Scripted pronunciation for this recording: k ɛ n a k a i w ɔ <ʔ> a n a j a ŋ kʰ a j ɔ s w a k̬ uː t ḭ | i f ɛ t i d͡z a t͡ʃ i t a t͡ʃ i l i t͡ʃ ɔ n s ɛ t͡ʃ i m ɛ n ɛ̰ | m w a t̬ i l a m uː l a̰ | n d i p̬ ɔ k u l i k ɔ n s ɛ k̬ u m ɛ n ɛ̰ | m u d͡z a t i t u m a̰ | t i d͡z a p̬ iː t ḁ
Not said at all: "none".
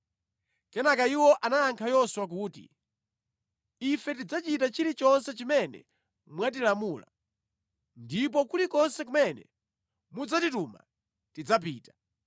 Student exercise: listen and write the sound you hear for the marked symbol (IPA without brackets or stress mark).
ʔ